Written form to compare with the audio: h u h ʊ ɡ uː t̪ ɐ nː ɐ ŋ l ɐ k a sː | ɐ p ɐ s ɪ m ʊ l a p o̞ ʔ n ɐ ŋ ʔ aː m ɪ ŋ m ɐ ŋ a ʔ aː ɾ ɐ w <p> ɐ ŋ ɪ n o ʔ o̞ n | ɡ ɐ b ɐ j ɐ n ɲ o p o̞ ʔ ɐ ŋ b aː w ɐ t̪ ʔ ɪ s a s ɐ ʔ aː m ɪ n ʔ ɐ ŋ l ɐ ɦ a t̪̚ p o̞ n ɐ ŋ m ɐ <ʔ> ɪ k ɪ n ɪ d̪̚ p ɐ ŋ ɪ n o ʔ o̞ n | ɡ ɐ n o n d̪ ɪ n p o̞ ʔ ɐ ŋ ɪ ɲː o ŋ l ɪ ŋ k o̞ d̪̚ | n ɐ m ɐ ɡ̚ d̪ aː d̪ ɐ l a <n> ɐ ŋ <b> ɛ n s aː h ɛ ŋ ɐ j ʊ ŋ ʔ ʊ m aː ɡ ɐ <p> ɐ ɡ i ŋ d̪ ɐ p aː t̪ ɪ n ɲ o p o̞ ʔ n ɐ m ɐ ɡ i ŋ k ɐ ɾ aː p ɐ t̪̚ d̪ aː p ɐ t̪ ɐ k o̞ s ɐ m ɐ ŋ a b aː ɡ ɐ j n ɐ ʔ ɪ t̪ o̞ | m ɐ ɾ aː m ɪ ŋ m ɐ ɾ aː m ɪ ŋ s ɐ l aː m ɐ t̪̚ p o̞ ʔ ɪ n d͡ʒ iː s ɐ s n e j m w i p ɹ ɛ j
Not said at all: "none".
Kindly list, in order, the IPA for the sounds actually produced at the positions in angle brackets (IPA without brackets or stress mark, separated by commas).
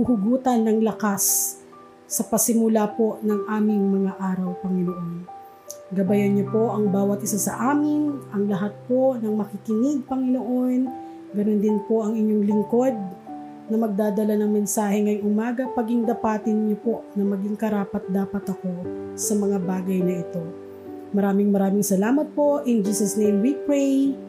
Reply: p, k, n, m, p